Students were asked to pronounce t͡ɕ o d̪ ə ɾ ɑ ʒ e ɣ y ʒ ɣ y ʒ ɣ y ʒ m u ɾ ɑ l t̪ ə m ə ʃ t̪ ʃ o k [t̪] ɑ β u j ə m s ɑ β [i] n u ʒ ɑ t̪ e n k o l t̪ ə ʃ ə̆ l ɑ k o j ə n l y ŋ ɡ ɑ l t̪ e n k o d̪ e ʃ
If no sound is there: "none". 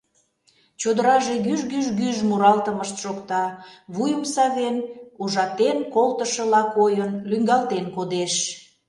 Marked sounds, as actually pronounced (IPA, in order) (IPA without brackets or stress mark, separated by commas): t̪, e